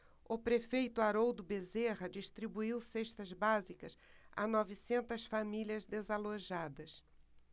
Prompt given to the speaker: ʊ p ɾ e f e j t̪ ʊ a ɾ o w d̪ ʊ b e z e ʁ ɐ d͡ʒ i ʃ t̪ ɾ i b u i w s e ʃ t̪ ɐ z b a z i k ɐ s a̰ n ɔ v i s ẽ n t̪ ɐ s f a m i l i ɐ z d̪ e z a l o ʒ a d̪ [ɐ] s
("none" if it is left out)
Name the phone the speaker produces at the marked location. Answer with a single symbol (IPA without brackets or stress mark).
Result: ɐ